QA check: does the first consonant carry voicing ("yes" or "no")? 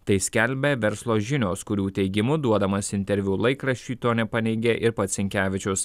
no